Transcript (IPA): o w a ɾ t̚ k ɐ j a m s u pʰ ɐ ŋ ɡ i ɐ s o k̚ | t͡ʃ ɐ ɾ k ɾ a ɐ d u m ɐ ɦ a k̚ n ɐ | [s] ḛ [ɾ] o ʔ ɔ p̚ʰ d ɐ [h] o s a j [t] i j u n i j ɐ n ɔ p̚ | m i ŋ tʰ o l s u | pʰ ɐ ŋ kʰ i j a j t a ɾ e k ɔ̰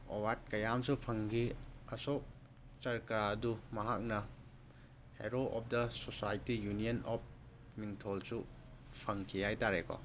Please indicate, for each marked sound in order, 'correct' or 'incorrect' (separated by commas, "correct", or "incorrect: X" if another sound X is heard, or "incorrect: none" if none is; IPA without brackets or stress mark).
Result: incorrect: h, correct, incorrect: s, correct